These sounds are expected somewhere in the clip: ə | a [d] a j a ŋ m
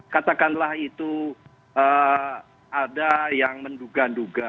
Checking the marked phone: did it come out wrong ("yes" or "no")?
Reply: no